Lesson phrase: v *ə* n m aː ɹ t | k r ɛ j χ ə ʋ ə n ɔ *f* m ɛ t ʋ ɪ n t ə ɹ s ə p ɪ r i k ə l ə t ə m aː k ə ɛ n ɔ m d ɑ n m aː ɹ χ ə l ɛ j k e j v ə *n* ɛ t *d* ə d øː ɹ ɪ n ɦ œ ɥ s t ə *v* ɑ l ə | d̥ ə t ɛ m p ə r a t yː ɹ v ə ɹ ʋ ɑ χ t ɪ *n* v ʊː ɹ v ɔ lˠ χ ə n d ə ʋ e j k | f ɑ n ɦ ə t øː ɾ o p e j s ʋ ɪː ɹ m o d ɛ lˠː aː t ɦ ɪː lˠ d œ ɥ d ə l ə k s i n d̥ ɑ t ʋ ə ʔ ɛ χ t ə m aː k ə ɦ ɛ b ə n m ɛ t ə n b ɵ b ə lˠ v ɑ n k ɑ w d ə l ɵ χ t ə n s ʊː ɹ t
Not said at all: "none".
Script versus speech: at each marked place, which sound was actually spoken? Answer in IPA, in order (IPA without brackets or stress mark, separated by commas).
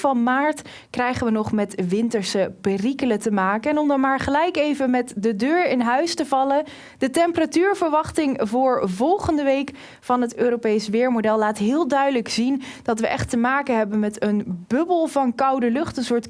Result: ɑ, χ, m, d, v, ŋ